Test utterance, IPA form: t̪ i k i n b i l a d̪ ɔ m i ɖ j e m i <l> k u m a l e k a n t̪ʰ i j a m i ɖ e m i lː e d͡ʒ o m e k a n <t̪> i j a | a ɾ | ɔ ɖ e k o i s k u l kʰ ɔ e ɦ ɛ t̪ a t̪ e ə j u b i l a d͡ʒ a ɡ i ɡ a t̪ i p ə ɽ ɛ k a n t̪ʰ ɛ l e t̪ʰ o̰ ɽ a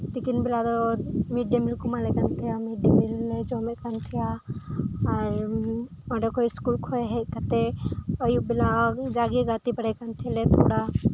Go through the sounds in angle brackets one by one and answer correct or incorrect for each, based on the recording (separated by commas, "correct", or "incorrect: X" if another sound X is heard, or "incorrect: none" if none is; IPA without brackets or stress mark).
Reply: correct, incorrect: t̪ʰ